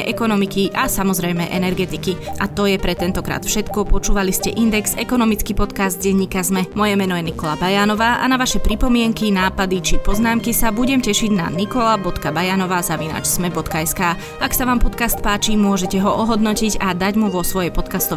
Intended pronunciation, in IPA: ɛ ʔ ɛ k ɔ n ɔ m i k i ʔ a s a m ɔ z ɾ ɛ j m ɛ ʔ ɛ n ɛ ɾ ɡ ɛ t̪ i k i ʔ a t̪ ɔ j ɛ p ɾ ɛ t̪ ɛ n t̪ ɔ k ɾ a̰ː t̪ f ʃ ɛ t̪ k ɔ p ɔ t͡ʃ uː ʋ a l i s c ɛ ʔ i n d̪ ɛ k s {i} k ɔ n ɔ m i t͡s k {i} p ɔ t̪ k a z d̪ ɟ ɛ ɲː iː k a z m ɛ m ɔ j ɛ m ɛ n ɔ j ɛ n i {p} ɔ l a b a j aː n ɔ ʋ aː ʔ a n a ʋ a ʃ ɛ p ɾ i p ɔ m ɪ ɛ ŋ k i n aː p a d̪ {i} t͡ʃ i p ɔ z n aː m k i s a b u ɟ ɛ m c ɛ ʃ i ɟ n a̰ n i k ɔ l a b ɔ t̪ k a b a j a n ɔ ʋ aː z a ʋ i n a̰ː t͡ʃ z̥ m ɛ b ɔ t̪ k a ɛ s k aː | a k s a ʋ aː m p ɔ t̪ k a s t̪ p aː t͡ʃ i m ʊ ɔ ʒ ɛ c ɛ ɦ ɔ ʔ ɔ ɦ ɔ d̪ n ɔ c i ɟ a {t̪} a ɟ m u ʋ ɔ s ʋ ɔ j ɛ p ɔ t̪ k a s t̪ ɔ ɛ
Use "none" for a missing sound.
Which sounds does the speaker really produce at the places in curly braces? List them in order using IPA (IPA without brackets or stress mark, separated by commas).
ɛ, i, k, i, d̪